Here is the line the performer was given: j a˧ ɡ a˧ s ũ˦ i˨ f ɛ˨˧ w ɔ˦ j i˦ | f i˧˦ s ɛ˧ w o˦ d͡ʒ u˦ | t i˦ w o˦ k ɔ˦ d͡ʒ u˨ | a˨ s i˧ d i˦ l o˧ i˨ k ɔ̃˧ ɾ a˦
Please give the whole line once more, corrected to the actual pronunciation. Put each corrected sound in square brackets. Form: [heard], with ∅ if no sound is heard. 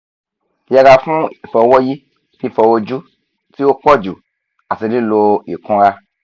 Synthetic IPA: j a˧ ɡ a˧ [f] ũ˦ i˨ f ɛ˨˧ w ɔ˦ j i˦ | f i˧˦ [f] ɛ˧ w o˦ d͡ʒ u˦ | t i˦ w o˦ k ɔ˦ d͡ʒ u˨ | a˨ s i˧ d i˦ l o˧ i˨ k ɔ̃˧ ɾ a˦